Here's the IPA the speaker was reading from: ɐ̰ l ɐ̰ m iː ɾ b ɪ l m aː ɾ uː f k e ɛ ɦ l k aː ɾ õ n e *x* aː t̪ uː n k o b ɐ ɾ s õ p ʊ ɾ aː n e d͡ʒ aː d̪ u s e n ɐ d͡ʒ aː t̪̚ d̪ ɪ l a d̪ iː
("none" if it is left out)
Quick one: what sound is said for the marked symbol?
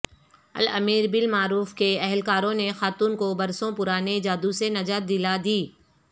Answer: x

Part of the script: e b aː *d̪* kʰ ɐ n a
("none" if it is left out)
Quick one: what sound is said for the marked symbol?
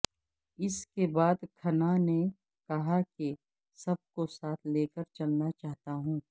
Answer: d̪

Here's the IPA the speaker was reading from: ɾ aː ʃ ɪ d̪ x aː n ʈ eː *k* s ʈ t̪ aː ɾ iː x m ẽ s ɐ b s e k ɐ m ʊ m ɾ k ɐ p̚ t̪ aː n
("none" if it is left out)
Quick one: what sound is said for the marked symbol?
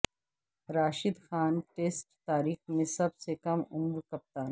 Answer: none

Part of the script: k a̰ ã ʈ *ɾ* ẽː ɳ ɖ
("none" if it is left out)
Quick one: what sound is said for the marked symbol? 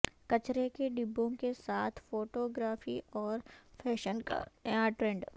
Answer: ɾ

